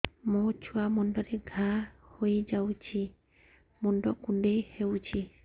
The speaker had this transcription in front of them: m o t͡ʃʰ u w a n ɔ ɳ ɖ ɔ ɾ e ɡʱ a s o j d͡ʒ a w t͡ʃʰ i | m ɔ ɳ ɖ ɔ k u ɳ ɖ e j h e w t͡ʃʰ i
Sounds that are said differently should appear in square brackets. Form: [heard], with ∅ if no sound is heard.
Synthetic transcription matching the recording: m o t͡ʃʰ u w a [m] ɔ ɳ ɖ ɔ ɾ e ɡʱ a [h] o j d͡ʒ a w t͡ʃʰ i | m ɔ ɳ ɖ ɔ k u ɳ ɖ e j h e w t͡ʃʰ i